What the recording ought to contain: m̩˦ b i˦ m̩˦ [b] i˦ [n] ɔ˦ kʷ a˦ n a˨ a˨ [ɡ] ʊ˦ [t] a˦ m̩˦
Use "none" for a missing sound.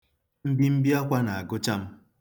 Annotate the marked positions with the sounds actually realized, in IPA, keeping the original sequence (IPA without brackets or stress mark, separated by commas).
b, none, ɡ, t͡ʃ